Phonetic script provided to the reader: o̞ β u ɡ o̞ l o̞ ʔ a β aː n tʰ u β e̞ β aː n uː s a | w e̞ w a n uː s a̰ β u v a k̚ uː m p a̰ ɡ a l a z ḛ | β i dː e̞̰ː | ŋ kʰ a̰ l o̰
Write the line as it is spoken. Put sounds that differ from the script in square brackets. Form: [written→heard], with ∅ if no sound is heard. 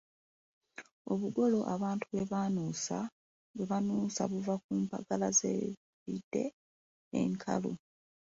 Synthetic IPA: o̞ β u ɡ o̞ l o̞ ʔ a β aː n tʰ u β e̞ β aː n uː s a | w e̞ [w→β] a n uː s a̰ β u v a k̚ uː m p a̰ ɡ a l a z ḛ | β i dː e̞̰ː | ŋ kʰ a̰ l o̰